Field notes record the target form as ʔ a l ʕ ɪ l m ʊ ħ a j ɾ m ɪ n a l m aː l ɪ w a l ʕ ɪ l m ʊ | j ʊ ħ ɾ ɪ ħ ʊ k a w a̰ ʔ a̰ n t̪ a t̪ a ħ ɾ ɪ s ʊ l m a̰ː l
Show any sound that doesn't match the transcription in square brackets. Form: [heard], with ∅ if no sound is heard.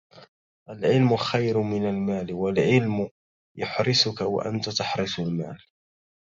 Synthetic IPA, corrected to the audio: ʔ a l ʕ ɪ l m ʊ [x] a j ɾ m ɪ n a l m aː l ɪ w a l ʕ ɪ l m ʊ | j ʊ ħ ɾ ɪ [s] ʊ k a w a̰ ʔ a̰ n t̪ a t̪ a ħ ɾ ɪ s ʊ l m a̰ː l